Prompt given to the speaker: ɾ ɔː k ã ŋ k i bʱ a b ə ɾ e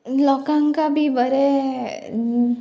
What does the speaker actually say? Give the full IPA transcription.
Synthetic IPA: l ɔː k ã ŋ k a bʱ i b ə ɾ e